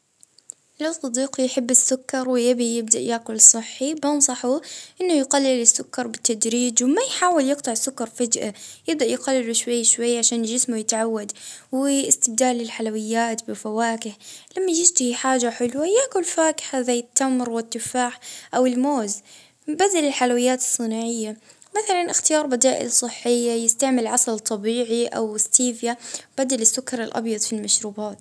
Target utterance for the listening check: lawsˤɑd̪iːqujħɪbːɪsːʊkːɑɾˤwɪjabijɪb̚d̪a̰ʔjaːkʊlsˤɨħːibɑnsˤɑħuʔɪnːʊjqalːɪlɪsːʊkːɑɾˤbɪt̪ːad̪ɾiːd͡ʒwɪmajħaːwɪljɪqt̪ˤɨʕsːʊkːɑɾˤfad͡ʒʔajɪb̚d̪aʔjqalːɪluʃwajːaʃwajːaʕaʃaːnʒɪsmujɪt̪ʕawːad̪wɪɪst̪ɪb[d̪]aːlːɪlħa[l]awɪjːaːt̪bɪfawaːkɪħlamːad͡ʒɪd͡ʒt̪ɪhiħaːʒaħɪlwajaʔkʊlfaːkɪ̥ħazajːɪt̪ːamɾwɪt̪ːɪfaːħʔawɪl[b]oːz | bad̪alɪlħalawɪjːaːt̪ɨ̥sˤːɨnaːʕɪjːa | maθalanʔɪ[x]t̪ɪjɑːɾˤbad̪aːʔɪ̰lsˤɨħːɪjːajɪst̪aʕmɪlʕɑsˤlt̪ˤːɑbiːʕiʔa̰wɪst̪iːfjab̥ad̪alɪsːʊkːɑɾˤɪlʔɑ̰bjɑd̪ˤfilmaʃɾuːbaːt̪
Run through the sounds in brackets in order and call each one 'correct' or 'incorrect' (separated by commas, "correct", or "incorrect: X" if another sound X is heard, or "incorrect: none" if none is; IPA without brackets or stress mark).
correct, correct, incorrect: m, correct